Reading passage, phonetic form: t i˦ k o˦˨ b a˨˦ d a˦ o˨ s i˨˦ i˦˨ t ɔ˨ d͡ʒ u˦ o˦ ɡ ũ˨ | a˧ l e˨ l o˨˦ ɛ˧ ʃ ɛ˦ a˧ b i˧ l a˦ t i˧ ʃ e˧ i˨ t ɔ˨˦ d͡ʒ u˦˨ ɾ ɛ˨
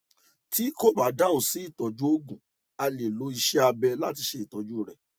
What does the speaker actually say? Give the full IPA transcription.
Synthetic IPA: t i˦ k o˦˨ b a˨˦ d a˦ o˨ s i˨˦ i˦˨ t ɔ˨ d͡ʒ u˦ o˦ ɡ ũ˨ | a˧ l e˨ l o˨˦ i˧ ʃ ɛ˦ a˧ b ɛ˧ l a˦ t i˧ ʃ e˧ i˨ t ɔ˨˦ d͡ʒ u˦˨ ɾ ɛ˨